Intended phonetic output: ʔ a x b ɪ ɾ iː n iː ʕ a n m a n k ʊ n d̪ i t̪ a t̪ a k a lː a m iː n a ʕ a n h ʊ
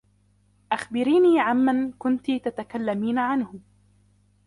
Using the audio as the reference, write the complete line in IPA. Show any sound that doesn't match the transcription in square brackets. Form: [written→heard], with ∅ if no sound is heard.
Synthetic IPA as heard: ʔ a x b ɪ ɾ iː n iː ʕ a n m a n k ʊ n [d̪→t̪] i t̪ a t̪ a k a lː a m iː n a ʕ a n h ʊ

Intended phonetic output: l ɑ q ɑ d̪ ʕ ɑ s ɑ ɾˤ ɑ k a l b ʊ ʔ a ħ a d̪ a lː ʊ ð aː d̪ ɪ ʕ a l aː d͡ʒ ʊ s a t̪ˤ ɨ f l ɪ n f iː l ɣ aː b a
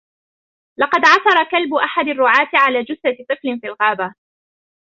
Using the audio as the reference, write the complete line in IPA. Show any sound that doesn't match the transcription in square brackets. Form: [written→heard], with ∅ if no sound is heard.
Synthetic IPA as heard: l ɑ q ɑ d̪ ʕ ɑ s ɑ ɾˤ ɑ k a l b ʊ ʔ a ħ a d̪ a [lː→rː] ʊ [ð→ʕ] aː [d̪→t̪] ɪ ʕ a l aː d͡ʒ ʊ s a t̪ˤ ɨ f l ɪ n f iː l ɣ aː b a

